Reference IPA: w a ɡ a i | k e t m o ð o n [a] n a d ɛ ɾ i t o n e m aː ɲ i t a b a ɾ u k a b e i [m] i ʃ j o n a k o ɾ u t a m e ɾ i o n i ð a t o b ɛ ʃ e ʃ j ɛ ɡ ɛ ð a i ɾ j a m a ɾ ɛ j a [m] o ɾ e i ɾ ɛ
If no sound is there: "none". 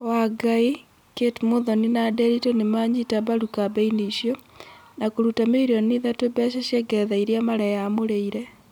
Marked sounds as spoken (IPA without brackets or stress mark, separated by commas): i, n, m